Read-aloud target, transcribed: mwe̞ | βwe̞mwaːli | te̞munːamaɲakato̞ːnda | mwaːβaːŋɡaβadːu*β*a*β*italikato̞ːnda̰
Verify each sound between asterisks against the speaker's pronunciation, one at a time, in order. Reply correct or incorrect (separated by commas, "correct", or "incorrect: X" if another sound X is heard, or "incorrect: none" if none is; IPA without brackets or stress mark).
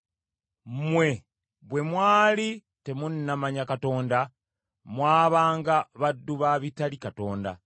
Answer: correct, correct